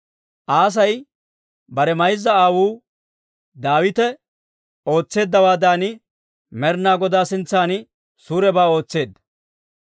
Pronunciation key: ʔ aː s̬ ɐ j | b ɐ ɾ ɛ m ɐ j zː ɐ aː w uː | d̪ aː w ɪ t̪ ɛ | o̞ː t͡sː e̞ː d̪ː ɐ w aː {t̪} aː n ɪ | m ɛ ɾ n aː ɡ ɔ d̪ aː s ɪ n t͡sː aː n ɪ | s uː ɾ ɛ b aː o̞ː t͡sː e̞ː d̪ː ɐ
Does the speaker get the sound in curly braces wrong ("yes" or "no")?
yes